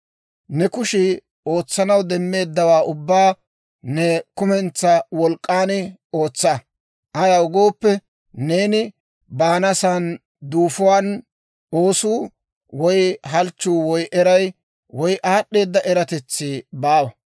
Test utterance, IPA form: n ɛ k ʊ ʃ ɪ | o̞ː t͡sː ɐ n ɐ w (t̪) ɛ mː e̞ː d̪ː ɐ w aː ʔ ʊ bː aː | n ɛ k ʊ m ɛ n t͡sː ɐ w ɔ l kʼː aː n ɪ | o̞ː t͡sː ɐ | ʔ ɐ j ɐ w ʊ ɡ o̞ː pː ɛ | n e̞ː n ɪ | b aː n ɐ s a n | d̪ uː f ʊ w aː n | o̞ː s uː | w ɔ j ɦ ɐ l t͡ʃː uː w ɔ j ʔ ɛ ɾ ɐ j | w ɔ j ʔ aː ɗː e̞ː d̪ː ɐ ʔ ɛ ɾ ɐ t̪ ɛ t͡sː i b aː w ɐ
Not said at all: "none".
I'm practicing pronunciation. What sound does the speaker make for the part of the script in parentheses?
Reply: d̪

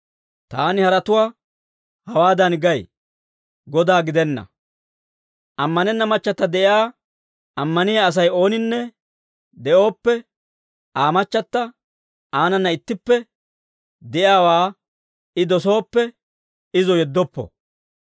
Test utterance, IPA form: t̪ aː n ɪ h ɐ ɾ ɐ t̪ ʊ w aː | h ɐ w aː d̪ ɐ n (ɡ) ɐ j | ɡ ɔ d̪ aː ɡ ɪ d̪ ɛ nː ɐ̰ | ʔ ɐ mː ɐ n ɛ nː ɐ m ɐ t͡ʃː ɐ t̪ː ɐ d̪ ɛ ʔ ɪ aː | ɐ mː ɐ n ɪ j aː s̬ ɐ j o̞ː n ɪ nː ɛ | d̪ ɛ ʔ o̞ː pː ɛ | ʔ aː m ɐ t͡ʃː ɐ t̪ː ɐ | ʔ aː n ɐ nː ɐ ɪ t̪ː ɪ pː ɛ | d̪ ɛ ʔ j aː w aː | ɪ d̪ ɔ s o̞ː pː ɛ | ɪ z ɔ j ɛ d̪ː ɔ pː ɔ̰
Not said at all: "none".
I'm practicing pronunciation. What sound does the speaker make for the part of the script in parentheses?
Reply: ɡ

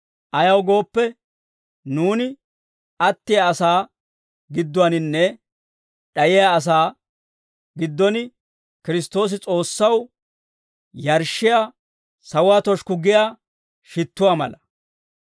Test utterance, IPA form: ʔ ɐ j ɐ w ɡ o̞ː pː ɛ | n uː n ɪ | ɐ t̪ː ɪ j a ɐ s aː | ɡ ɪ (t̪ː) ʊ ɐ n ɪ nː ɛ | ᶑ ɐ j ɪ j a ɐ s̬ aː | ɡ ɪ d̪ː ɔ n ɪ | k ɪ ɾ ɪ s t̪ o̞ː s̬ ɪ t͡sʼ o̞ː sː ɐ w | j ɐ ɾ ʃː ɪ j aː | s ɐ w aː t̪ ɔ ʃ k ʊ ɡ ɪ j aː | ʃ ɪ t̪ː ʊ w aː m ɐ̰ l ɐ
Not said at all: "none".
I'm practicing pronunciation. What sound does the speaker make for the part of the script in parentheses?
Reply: d̪ː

